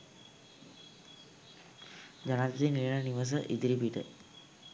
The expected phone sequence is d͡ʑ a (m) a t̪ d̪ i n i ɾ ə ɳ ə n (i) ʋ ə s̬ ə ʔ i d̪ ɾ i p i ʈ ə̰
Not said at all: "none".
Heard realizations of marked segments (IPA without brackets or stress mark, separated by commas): n, i